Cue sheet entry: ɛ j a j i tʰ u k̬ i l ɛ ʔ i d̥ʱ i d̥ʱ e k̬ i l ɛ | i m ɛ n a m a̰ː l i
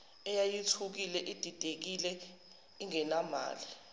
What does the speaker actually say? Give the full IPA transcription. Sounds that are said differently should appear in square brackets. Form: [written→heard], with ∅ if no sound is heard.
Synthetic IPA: ɛ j a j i tʰ u k̬ i l ɛ ʔ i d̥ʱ i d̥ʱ e k̬ i l ɛ | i [m→ŋ] ɛ n a m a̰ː l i